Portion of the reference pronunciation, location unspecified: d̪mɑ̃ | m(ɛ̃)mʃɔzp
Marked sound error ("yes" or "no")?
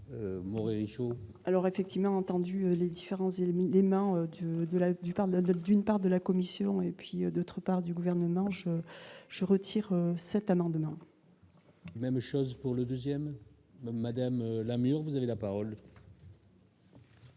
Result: yes